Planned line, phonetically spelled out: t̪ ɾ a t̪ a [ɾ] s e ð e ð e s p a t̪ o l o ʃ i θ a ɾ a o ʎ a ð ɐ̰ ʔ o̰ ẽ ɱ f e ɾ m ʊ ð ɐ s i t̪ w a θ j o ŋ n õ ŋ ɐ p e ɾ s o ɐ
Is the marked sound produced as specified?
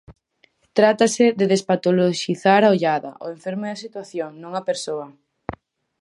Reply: no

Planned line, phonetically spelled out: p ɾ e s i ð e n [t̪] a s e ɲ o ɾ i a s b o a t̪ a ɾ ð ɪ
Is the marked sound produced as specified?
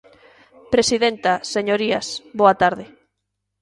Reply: yes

